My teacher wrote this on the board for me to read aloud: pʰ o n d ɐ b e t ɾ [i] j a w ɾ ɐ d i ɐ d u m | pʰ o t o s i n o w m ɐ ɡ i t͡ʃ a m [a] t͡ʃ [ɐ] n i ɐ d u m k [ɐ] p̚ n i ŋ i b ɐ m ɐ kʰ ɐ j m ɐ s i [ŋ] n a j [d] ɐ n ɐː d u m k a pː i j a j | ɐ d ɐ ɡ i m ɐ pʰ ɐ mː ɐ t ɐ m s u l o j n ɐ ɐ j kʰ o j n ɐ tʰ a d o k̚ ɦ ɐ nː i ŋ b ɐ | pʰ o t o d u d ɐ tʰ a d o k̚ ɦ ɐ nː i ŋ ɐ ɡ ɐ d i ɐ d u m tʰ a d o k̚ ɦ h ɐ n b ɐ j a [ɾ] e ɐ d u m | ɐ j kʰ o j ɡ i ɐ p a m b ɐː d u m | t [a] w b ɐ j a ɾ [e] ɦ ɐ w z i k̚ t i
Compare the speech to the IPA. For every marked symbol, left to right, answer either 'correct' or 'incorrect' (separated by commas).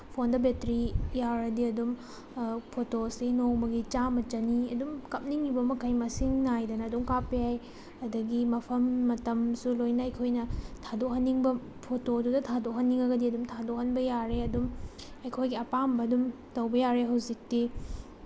correct, incorrect, correct, correct, correct, correct, correct, incorrect, correct